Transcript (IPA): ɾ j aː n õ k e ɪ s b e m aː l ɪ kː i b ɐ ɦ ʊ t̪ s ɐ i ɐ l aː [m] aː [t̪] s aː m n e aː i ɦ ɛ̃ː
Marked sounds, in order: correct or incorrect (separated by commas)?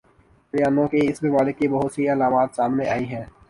correct, correct